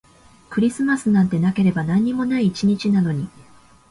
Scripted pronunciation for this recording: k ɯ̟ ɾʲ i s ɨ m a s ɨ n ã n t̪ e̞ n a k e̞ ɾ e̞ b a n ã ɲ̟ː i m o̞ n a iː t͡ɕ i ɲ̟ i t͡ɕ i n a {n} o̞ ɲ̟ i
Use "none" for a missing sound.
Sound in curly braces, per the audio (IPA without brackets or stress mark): n